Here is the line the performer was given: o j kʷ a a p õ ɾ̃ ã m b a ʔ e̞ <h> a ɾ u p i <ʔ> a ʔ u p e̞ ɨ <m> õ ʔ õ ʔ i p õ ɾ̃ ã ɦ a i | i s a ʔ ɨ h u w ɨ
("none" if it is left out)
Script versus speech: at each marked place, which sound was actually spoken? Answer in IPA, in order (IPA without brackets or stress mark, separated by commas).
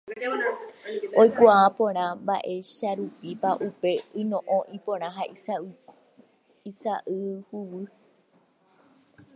ʃ, p, n